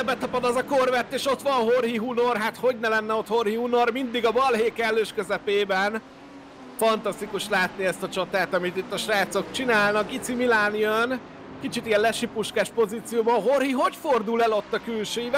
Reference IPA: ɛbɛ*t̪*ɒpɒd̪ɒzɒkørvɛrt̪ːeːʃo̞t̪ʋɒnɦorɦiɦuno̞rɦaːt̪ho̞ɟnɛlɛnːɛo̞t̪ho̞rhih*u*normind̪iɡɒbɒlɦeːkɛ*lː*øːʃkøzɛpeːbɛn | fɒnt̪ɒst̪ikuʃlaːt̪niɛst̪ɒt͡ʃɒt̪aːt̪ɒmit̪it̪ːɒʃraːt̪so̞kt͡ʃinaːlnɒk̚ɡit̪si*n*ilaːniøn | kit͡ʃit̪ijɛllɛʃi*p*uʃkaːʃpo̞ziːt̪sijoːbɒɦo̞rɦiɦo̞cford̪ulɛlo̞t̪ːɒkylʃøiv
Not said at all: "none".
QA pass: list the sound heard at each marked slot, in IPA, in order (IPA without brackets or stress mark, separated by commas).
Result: t̪, u, lː, m, p